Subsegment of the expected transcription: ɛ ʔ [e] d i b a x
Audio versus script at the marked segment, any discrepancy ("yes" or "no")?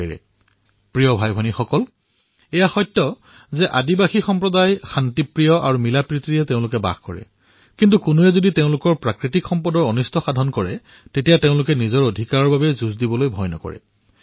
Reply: yes